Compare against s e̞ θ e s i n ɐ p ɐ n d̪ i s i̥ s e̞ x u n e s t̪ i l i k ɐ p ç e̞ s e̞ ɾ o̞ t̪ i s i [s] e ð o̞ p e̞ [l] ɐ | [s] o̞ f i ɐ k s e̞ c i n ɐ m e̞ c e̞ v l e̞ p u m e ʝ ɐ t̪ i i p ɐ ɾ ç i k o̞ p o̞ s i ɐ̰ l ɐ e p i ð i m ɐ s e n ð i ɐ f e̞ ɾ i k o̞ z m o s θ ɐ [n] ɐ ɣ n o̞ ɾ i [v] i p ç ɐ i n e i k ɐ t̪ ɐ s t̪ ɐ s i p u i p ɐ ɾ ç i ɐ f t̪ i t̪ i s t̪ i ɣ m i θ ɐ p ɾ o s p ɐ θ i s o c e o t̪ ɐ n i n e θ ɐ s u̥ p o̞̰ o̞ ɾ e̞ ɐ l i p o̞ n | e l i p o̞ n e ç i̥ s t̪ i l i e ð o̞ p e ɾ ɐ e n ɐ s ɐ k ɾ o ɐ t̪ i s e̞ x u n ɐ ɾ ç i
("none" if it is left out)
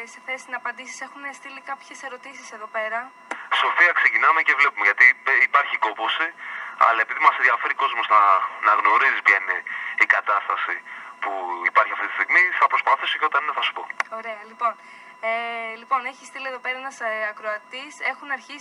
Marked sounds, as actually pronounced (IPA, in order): s, ɾ, s, n, z

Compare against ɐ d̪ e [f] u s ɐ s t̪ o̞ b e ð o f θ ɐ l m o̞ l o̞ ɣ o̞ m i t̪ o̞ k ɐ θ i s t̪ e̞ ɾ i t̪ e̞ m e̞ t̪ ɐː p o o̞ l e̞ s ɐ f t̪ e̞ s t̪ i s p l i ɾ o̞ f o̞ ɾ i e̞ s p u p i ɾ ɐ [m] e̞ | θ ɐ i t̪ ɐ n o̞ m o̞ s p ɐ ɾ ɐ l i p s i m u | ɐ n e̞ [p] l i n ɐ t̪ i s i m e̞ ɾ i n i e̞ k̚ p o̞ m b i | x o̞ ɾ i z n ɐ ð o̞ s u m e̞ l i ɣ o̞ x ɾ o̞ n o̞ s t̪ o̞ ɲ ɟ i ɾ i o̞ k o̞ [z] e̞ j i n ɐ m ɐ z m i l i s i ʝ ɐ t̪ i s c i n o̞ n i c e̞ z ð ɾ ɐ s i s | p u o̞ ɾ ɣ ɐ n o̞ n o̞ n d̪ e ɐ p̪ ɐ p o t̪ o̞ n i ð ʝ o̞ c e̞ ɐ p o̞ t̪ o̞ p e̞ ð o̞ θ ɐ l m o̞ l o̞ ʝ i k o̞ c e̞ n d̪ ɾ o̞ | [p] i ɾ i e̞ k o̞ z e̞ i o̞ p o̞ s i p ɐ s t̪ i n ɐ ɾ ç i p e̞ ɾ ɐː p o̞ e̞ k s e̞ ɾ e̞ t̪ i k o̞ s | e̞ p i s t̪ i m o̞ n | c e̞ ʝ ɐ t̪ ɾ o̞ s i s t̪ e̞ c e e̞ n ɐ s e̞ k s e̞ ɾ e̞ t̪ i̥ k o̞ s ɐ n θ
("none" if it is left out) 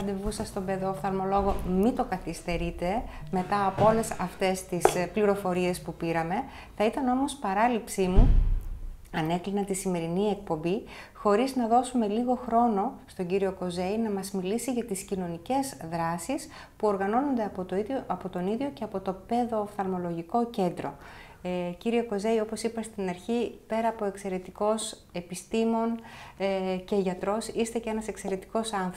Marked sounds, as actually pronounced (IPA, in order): v, m, k, z, c

